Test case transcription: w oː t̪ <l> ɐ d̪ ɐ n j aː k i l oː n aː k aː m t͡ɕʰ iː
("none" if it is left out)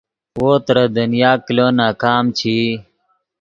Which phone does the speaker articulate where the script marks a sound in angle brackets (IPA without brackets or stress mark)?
ɾ